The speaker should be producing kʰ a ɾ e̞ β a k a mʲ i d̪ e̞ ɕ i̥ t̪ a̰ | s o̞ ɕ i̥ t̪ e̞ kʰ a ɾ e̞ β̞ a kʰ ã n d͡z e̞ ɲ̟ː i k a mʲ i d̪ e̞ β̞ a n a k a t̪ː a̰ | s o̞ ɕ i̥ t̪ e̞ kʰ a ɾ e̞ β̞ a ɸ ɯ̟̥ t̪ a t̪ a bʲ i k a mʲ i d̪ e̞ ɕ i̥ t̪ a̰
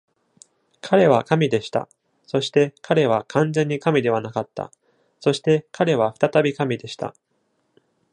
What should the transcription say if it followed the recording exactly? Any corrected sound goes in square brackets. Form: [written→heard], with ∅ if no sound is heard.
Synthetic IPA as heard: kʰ a ɾ e̞ β a k a mʲ i d̪ e̞ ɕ i̥ t̪ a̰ | s o̞ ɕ i̥ t̪ e̞ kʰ a ɾ e̞ β̞ a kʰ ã n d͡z [e̞→ẽ̞] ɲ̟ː i k a mʲ i d̪ e̞ β̞ a n a k a t̪ː a̰ | s o̞ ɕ i̥ t̪ e̞ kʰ a ɾ e̞ β̞ a ɸ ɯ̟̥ t̪ a t̪ a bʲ i k a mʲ i d̪ e̞ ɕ i̥ t̪ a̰